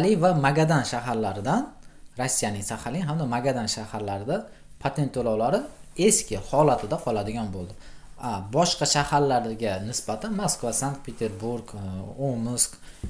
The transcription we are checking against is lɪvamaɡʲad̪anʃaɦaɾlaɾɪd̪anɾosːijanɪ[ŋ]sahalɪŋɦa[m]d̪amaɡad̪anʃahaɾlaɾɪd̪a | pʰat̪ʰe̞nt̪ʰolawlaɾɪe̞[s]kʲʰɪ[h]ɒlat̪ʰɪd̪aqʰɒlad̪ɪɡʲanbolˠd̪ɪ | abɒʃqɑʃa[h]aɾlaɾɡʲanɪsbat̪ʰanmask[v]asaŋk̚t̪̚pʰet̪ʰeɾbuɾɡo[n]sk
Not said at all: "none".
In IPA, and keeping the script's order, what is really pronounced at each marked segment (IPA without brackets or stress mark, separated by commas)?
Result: ŋ, m, s, h, h, v, m